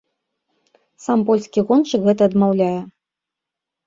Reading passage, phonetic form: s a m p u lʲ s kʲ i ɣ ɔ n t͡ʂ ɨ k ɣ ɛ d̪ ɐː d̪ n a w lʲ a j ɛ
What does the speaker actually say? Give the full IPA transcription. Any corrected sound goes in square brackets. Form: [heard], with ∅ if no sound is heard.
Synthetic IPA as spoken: s a m p [ɔ] lʲ s kʲ i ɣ ɔ n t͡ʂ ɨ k ɣ ɛ [t̪] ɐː d̪ [m] a w lʲ a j ɛ